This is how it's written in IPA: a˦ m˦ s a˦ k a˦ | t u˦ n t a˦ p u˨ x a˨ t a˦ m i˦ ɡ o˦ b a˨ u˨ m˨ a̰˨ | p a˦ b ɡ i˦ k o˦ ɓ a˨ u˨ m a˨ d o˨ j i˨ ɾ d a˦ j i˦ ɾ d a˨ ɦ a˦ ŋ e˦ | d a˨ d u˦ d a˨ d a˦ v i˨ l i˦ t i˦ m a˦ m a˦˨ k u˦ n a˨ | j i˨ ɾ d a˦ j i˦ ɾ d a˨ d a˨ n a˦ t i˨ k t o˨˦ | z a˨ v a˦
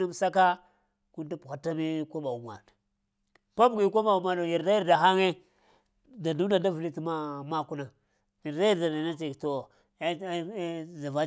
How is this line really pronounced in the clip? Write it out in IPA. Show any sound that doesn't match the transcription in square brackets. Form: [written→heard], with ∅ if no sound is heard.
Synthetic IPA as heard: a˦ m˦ s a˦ k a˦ | [t→k] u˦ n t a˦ p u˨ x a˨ t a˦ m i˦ [ɡ→k] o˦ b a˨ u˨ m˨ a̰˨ | p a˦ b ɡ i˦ k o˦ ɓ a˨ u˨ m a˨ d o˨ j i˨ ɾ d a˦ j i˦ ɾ d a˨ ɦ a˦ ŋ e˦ | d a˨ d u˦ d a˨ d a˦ v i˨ l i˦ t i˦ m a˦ m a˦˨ k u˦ n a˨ | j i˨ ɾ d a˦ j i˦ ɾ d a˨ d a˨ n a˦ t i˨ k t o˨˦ | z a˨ v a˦

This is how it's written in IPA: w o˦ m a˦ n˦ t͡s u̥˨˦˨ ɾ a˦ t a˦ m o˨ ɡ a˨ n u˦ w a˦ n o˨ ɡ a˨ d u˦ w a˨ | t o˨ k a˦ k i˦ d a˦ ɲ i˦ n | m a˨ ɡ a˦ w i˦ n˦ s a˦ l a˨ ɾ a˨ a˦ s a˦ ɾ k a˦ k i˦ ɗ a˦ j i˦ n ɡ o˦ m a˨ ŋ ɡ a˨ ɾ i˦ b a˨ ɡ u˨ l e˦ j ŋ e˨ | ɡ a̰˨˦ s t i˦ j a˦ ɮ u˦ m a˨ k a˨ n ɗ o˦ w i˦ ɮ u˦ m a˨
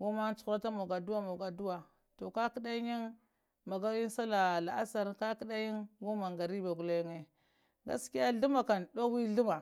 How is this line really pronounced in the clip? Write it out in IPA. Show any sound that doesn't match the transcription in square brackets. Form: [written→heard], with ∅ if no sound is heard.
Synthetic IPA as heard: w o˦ m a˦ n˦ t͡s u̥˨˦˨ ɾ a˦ t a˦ m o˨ ɡ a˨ [n→d] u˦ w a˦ [n→m] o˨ ɡ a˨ d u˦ w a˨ | t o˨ k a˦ k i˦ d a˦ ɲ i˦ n | m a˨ ɡ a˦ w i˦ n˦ s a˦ l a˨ [ɾ→l] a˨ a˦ s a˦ ɾ k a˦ k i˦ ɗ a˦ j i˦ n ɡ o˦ m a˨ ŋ ɡ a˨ ɾ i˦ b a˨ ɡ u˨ l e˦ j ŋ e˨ | ɡ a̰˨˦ s [t→k] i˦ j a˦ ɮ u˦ m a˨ k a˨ n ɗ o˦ w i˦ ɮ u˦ m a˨

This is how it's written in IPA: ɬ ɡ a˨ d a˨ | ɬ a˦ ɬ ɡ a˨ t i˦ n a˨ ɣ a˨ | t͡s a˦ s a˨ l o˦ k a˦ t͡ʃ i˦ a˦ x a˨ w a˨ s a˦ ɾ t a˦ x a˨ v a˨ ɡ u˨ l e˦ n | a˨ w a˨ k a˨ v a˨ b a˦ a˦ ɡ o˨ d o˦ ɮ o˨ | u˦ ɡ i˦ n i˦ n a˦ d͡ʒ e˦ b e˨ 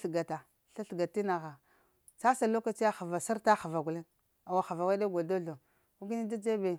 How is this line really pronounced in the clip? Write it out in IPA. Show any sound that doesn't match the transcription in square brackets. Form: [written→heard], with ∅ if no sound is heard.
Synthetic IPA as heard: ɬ ɡ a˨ [d→t] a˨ | ɬ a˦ ɬ ɡ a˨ t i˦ n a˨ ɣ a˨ | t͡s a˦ s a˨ l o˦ k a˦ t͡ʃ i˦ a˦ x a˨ [w→v] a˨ s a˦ ɾ t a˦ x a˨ v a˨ ɡ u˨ l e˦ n | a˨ w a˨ [k→x] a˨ v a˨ [b→w] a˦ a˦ ɡ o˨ d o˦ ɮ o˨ | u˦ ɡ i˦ n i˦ [n→d] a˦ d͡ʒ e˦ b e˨

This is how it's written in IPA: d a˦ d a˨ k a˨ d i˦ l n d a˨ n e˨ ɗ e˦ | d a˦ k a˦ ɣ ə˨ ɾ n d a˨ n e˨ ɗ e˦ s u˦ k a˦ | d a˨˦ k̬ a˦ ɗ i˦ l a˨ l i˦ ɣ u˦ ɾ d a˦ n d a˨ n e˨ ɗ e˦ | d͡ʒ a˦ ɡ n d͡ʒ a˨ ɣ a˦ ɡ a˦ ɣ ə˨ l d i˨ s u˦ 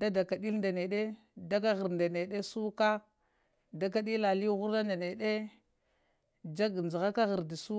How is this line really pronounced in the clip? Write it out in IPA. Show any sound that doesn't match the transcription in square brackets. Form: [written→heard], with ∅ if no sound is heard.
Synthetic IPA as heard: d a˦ d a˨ k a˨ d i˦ l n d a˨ n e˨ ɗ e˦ | d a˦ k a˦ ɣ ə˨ ɾ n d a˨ n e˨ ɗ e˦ s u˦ k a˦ | d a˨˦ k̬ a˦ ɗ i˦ l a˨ l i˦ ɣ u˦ ɾ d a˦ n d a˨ n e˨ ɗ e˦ | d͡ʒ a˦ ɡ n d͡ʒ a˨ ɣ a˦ [ɡ→k] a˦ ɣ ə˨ [l→ɾ] d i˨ s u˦

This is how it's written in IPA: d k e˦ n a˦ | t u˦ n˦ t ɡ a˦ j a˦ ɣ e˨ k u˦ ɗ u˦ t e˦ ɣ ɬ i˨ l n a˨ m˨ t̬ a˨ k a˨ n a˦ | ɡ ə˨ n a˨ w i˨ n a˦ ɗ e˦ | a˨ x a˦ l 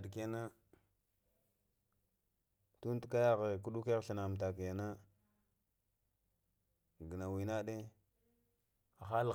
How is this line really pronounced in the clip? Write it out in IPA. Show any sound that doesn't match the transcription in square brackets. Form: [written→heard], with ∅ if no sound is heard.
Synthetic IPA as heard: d k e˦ n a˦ | t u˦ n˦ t [ɡ→k] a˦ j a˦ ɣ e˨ k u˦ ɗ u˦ [t→k] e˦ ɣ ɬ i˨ [l→∅] n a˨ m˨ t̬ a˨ k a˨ n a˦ | ɡ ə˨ n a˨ w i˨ n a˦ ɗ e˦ | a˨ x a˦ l

